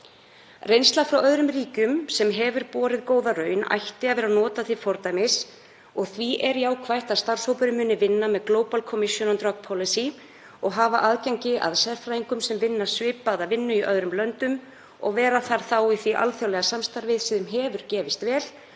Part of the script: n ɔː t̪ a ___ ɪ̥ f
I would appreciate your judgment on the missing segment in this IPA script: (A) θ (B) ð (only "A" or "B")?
A